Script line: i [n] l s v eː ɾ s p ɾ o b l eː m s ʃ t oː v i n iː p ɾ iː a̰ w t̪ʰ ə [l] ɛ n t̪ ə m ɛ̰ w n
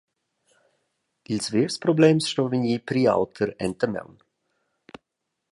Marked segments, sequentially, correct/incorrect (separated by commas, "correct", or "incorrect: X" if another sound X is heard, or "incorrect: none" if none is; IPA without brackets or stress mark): incorrect: none, incorrect: ɾ